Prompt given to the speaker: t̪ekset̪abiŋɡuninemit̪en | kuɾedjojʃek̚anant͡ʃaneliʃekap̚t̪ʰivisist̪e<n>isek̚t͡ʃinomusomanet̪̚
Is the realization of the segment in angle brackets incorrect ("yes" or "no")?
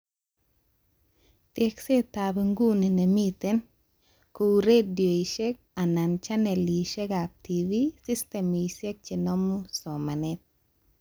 yes